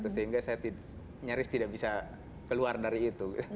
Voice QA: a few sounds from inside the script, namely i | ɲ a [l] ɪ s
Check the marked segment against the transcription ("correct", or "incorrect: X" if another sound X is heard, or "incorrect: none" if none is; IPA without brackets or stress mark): incorrect: ɾ